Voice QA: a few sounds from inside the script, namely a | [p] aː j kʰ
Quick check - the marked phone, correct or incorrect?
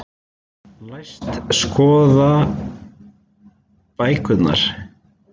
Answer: correct